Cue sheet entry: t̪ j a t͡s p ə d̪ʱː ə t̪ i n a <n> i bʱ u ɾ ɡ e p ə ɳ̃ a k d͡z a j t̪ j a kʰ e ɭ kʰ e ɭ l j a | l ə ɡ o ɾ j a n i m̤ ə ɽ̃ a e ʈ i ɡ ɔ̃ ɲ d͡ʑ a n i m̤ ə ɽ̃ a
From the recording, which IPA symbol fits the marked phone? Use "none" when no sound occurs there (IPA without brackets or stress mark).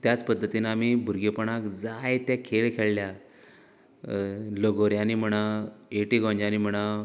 m